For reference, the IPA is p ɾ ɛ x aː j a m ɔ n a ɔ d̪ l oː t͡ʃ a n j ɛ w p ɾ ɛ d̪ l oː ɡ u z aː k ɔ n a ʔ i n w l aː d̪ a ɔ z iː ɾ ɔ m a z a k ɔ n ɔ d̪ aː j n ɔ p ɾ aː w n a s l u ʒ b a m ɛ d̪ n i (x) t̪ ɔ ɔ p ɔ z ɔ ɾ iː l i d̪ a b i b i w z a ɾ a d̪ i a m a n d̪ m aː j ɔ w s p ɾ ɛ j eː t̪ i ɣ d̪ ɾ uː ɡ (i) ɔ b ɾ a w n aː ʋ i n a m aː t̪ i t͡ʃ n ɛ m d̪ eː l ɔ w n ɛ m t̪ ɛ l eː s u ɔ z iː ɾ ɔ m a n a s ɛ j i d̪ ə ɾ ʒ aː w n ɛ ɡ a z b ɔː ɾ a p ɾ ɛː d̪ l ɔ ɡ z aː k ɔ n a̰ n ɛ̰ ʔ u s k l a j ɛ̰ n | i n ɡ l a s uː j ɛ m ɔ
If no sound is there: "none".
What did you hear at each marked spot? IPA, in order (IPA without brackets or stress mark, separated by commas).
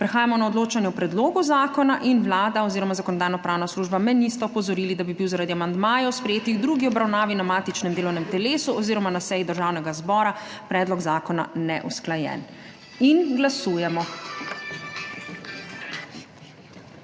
s, i